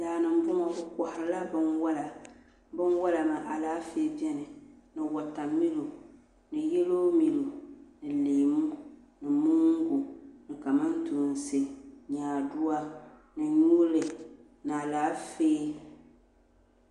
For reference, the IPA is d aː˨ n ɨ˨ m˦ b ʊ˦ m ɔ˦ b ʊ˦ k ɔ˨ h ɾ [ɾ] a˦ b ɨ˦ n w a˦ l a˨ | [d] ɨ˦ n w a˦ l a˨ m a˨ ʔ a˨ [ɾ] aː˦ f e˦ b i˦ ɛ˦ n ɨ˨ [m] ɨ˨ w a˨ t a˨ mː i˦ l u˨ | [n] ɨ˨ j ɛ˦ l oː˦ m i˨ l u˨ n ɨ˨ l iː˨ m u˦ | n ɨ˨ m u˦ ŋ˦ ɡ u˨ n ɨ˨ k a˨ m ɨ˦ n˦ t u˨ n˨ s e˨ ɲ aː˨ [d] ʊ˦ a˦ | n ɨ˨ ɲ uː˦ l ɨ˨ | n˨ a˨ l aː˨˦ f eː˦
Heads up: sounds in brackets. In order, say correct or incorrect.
incorrect: l, incorrect: b, incorrect: l, incorrect: n, correct, correct

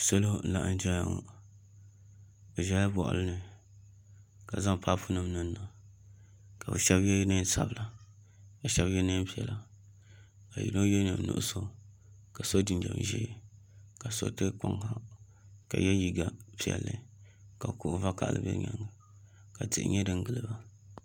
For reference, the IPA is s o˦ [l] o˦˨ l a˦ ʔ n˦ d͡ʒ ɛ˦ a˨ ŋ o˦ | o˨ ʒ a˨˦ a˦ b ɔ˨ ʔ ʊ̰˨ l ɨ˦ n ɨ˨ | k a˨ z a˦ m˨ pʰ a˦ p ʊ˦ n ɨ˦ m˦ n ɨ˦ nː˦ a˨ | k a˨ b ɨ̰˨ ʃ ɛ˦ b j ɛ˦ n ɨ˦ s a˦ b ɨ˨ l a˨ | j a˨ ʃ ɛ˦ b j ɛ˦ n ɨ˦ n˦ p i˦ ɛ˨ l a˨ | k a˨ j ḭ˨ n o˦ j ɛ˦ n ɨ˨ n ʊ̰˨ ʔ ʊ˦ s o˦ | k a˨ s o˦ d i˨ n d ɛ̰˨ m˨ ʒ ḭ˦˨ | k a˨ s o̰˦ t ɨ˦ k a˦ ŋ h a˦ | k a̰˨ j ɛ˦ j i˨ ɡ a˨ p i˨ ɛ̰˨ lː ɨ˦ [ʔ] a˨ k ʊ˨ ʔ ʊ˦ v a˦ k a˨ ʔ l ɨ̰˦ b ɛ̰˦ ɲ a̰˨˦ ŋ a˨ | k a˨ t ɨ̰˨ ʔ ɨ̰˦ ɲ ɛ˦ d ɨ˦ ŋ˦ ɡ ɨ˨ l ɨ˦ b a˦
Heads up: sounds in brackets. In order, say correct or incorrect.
correct, incorrect: k

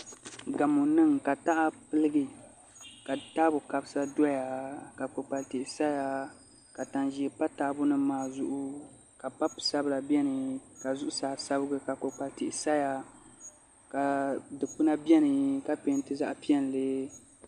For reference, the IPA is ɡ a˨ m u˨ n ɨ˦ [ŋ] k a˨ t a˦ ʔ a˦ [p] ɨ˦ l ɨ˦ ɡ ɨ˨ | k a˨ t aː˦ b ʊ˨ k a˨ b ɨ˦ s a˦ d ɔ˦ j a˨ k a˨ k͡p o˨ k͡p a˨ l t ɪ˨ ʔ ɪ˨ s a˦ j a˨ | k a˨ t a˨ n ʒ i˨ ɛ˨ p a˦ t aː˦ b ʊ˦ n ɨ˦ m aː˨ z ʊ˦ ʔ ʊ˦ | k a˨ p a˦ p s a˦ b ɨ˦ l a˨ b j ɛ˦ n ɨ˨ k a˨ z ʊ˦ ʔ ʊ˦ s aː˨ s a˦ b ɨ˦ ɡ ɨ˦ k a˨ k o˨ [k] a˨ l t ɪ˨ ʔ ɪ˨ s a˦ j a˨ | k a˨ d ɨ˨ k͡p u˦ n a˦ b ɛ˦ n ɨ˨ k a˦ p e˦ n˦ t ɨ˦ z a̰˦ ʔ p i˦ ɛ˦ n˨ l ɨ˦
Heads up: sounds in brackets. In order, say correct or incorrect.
correct, correct, incorrect: k͡p

